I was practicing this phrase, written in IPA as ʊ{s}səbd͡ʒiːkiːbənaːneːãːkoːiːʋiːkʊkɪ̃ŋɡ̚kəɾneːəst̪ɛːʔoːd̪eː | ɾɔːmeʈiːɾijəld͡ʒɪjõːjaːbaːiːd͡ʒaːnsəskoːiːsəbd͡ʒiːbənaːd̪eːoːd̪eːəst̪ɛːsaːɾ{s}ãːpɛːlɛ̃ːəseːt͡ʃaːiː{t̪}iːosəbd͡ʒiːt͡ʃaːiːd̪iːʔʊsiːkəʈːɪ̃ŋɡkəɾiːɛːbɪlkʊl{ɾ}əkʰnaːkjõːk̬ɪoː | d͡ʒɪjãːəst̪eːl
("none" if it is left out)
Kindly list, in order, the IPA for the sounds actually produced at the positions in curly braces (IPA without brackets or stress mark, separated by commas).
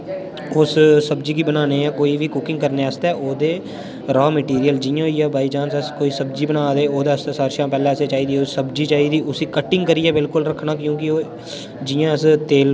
s, ʃ, d̪, ɾ